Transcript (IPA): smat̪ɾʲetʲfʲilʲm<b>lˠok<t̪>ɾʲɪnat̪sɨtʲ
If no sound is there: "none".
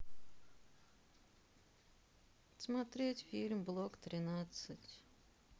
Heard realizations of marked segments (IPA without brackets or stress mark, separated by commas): b, t̪